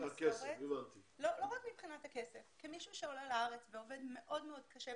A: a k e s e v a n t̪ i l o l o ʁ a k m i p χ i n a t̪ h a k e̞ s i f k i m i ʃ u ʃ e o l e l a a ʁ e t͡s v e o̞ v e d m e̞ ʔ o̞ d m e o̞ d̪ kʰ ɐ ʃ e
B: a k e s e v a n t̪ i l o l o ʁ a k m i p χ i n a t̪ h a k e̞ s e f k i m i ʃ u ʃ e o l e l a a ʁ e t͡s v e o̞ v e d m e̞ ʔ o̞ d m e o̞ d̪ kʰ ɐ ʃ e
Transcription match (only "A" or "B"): B